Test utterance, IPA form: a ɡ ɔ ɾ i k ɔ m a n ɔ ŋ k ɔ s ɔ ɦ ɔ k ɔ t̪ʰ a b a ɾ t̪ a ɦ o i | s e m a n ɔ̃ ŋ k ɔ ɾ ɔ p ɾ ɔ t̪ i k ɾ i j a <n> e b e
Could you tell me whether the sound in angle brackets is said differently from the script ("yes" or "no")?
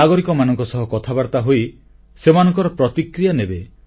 no